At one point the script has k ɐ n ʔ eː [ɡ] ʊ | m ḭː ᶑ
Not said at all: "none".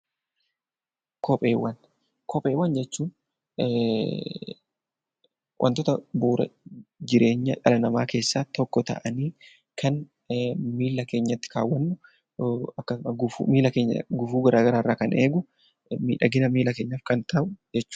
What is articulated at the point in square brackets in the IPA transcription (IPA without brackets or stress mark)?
ɡ